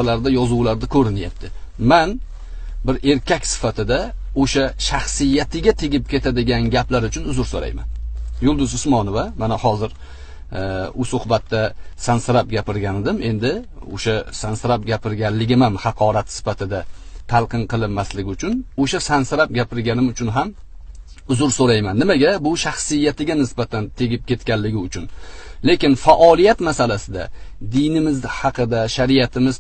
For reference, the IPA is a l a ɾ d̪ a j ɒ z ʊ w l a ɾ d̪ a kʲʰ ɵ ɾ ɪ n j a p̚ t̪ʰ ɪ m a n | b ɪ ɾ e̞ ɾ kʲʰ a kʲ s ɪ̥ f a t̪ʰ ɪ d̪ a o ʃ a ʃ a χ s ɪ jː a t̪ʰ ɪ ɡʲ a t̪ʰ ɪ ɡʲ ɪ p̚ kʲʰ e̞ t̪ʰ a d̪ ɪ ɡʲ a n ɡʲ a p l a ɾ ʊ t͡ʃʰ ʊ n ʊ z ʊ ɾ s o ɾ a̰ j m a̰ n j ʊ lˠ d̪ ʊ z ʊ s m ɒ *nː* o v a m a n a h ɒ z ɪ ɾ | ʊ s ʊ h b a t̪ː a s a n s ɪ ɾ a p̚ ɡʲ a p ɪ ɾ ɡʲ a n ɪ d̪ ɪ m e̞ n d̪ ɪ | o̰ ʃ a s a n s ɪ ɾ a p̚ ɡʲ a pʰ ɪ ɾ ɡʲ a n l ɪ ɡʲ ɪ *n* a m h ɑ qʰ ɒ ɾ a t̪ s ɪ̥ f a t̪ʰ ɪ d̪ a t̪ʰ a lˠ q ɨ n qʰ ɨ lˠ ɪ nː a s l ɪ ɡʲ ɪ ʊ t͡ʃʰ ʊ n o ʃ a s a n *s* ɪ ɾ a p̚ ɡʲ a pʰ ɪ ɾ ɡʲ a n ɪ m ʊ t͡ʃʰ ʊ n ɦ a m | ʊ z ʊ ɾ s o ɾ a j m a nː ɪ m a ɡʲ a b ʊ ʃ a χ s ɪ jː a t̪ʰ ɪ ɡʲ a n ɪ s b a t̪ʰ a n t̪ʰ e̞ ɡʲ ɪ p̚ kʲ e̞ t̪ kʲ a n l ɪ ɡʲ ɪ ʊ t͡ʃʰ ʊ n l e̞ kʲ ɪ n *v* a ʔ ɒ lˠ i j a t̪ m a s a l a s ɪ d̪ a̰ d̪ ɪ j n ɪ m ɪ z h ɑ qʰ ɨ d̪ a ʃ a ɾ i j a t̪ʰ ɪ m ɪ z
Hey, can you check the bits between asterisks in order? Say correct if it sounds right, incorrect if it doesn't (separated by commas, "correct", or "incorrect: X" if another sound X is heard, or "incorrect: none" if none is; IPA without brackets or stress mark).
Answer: incorrect: n, incorrect: m, correct, incorrect: f